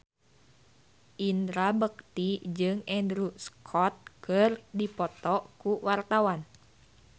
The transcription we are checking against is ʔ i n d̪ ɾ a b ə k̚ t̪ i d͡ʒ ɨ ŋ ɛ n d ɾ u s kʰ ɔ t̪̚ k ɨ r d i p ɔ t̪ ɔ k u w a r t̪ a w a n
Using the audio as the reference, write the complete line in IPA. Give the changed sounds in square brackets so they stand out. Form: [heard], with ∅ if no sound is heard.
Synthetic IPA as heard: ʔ i n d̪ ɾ a b ə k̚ t̪ i d͡ʒ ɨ ŋ ɛ n d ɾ u s kʰ ɔ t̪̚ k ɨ r d i p ɔ t̪ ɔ k u w a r t̪ a w a n